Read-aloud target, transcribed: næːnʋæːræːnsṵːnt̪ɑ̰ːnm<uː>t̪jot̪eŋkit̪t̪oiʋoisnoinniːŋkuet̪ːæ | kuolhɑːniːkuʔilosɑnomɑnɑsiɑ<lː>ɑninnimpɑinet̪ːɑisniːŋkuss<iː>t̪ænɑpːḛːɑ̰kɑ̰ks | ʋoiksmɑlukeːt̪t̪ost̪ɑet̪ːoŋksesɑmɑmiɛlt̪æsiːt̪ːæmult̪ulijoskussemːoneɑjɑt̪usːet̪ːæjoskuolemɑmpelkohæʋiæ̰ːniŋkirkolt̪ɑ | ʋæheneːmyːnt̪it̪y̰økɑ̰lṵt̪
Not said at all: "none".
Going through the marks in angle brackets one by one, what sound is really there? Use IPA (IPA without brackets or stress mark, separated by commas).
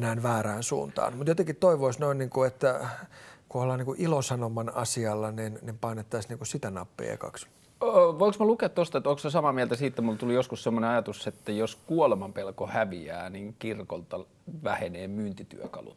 u, lː, i